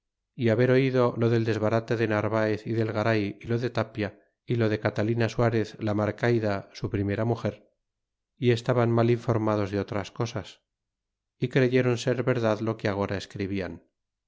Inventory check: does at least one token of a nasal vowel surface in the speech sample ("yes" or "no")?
no